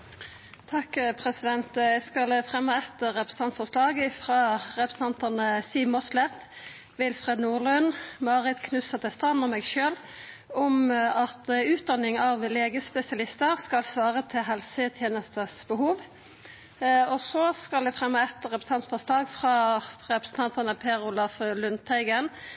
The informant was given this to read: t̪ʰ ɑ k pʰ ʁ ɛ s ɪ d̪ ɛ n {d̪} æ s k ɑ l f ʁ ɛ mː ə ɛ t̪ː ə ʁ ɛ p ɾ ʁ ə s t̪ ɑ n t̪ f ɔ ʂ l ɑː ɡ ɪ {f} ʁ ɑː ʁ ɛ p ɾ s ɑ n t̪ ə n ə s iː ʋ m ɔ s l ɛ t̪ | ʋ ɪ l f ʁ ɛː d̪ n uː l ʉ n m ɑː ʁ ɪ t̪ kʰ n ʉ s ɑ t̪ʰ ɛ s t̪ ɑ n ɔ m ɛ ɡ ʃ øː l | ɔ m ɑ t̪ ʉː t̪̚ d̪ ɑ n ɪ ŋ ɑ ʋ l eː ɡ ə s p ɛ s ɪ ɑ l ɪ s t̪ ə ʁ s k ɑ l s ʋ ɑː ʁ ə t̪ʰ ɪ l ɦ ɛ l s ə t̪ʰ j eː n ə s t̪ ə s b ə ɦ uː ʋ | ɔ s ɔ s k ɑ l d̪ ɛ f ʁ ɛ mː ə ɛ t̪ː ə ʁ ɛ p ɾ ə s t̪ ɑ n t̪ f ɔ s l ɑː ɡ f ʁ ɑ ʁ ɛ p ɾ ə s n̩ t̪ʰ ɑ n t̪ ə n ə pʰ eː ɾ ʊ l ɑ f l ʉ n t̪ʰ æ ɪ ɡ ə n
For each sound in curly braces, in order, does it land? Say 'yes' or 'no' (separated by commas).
no, yes